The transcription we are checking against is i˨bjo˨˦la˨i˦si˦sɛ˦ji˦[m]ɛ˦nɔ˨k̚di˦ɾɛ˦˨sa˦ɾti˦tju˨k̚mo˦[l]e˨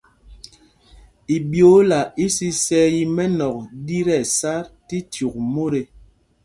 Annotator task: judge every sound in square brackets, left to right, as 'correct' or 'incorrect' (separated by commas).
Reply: correct, incorrect